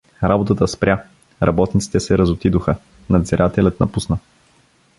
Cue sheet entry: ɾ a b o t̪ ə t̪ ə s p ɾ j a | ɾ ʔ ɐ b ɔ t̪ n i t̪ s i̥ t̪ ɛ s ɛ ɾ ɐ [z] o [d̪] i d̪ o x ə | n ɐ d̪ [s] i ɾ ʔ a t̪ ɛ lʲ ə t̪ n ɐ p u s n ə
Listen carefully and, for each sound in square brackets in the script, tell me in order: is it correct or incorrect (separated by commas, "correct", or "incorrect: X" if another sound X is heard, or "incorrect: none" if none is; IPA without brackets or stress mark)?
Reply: correct, incorrect: t̪, incorrect: z